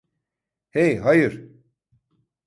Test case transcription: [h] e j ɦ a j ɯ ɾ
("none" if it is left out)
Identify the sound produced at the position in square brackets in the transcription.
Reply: h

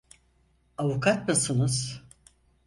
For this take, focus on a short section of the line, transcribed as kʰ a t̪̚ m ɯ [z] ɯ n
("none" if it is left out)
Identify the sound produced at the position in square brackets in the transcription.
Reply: s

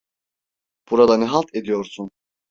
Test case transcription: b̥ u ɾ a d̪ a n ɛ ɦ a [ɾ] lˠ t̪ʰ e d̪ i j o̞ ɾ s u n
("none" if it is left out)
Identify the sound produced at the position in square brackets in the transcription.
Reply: none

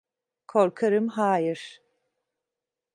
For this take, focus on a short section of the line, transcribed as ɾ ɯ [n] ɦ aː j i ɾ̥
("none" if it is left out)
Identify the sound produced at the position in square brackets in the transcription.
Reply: m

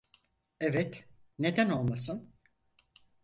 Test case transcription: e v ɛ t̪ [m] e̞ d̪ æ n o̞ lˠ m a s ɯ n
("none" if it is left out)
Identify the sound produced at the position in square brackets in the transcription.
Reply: n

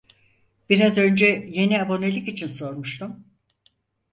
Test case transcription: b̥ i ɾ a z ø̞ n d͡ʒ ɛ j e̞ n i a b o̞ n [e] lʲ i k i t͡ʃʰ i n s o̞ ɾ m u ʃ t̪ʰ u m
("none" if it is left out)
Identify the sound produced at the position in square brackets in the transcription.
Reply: e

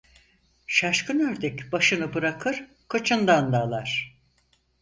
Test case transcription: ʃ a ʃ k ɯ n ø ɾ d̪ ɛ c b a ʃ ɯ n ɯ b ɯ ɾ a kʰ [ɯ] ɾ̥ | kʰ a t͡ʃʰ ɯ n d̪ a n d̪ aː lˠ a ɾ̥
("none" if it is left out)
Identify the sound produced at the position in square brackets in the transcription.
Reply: ɯ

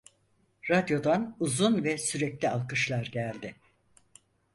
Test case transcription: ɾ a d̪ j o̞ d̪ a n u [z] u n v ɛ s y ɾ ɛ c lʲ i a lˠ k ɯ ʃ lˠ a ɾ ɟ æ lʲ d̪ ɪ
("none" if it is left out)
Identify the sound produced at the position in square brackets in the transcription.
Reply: z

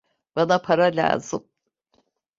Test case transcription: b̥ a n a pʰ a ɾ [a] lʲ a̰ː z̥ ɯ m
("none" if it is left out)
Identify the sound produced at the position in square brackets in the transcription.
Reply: a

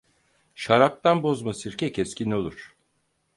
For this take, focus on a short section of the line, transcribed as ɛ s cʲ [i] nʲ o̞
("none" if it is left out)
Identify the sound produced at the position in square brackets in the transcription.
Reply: i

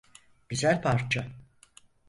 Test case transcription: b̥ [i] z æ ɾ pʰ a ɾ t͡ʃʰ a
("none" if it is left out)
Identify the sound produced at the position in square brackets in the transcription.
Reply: i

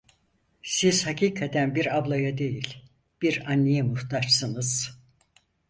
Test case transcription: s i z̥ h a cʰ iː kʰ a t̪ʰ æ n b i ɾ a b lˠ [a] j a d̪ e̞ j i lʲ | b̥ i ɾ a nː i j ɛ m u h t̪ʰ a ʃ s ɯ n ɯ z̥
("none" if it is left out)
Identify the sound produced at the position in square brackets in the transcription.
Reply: a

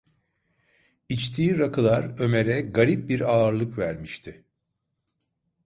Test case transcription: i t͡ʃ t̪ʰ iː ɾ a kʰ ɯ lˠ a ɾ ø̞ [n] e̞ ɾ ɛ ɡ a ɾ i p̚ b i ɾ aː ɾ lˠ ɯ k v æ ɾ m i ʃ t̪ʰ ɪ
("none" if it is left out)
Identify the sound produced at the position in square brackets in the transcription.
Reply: m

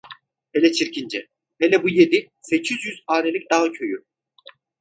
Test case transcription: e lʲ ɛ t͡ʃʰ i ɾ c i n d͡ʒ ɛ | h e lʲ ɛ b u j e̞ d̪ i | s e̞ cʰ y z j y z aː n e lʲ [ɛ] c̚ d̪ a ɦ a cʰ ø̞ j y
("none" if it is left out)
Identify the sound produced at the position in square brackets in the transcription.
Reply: i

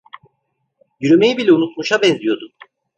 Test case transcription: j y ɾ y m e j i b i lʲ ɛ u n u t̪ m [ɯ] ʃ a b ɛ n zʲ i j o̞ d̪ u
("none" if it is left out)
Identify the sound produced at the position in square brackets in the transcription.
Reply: u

